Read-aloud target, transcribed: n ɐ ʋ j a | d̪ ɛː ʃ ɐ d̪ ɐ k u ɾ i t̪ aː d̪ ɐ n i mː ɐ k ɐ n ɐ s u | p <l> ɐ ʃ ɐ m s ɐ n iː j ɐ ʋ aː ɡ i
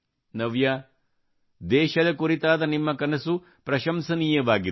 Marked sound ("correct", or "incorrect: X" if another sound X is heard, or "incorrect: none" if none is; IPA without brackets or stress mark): incorrect: ɾ